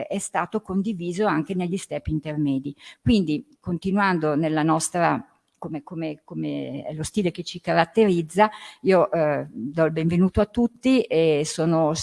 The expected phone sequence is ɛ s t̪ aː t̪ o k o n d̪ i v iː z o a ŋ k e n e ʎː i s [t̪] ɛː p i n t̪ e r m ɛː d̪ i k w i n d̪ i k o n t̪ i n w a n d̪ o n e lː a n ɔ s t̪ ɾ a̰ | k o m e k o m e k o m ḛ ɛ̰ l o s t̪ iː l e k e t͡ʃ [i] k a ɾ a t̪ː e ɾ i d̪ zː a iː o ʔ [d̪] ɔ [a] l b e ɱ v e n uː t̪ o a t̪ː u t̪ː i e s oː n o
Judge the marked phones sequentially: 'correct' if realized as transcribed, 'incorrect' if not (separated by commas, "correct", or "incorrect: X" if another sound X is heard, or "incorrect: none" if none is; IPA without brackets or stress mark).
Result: correct, correct, correct, incorrect: i